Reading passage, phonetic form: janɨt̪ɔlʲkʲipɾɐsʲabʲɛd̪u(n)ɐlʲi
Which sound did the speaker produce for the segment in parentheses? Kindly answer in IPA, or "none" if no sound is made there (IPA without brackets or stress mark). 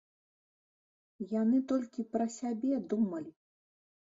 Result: m